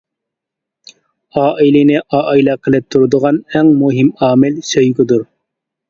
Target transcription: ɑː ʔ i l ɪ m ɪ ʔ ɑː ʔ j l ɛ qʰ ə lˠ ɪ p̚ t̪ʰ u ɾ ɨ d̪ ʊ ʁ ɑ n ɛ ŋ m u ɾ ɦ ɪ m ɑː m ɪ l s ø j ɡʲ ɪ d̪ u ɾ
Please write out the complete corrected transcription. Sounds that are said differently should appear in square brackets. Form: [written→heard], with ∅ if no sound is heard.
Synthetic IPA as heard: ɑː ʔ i l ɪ [m→n] ɪ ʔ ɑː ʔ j l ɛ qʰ ə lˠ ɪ p̚ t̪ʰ u ɾ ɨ d̪ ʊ ʁ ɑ n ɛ ŋ m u [ɾ→∅] ɦ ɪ m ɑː m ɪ l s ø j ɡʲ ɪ d̪ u ɾ